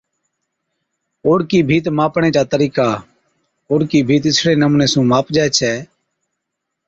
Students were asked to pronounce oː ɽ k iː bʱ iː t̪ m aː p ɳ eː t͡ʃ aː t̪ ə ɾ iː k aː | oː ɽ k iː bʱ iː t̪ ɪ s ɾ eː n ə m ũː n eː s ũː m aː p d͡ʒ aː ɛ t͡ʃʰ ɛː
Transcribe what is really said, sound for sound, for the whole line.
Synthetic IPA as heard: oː ɽ k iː bʱ iː t̪ m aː p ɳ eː t͡ʃ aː t̪ ə ɾ iː k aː | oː ɽ k iː bʱ iː t̪ ɪ s ɽ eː n ə m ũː n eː s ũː m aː p d͡ʒ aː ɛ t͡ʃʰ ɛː